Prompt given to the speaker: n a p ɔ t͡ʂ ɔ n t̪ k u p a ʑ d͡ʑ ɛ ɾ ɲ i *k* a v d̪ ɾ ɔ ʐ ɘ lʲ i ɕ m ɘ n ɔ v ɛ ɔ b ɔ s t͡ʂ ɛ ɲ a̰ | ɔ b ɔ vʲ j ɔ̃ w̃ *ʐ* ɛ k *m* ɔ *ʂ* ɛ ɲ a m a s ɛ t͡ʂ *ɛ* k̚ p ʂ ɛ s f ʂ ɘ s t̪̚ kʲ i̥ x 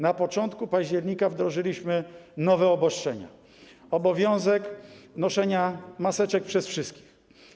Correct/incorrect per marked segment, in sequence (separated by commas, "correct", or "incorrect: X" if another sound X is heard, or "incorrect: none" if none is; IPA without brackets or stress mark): correct, incorrect: z, incorrect: n, correct, correct